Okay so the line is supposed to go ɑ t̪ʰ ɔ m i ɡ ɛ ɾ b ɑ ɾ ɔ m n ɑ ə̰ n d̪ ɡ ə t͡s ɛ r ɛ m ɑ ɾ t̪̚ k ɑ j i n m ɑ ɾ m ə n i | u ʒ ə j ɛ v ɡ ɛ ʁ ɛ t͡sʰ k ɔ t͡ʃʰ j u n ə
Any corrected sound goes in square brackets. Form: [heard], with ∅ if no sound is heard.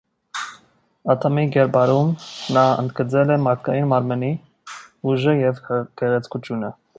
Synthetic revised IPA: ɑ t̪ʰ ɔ m i ɡ ɛ ɾ b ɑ ɾ [u] m n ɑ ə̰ n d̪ ɡ ə t͡s ɛ [l] ɛ m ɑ ɾ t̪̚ k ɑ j i n m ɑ ɾ m ə n i | u ʒ ə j ɛ v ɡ ɛ ʁ ɛ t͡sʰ k [u] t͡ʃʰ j u n ə

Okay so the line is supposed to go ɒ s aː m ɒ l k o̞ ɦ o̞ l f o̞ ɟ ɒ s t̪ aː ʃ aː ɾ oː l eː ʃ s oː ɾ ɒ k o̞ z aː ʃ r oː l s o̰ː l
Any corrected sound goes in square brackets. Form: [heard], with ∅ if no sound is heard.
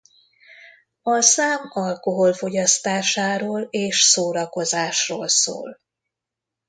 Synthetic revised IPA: ɒ s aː m ɒ l k o̞ ɦ o̞ l f o̞ ɟ ɒ s t̪ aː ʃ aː ɾ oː l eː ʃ s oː ɾ ɒ k o̞ z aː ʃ r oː l s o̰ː l

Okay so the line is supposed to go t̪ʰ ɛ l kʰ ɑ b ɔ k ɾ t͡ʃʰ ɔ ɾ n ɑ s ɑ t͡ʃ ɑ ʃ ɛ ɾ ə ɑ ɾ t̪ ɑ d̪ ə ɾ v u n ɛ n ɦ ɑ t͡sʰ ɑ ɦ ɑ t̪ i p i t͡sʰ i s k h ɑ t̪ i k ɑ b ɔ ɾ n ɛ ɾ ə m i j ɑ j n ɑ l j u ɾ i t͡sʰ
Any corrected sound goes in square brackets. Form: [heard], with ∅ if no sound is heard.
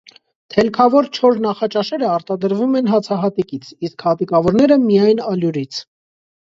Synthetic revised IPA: t̪ʰ ɛ l kʰ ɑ [v] ɔ [∅] ɾ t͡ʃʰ ɔ ɾ n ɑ [χ] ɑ t͡ʃ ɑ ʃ ɛ ɾ ə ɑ ɾ t̪ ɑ d̪ ə ɾ v u [m] ɛ n ɦ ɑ t͡sʰ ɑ ɦ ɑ t̪ i [k] i t͡sʰ i s k h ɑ t̪ i k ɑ [v] ɔ ɾ n ɛ ɾ ə m i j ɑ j n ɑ l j u ɾ i t͡sʰ

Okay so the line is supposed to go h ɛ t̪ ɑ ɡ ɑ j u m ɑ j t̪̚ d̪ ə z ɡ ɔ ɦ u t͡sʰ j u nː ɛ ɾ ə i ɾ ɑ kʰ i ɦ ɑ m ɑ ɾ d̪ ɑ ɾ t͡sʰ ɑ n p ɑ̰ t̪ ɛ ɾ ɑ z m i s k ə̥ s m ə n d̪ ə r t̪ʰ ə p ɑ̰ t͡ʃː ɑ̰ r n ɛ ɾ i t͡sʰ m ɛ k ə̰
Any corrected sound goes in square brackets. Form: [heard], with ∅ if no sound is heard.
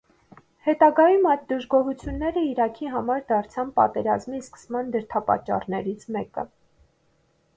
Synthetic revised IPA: h ɛ t̪ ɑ ɡ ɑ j u m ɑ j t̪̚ d̪ ə [ʒ] ɡ ɔ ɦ u t͡sʰ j u nː ɛ ɾ ə i ɾ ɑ kʰ i ɦ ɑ m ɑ ɾ d̪ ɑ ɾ t͡sʰ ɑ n p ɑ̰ t̪ ɛ ɾ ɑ z m i s k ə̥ s m [ɑ] n d̪ ə [ɾ] t̪ʰ [ɑ] p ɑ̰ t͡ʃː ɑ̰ r n ɛ ɾ i t͡sʰ m ɛ k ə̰

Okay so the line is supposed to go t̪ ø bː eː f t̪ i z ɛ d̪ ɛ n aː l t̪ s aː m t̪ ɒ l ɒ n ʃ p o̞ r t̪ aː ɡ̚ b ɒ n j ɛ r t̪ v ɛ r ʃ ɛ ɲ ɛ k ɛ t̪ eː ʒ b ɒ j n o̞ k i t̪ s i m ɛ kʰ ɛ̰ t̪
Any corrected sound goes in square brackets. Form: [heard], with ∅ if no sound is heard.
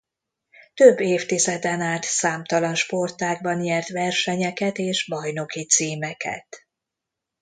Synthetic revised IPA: t̪ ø bː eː f t̪ i z ɛ d̪ ɛ n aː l t̪ s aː m t̪ ɒ l ɒ n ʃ p o̞ r t̪ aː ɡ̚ b ɒ n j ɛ r t̪ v ɛ r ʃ ɛ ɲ ɛ k ɛ t̪ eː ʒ b ɒ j n o̞ k i t̪ s [iː] m ɛ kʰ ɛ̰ t̪

